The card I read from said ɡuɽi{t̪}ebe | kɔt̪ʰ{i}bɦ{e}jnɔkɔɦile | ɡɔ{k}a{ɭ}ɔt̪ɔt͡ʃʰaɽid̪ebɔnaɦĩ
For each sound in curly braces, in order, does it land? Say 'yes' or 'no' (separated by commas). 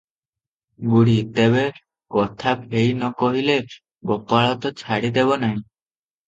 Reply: yes, no, yes, no, yes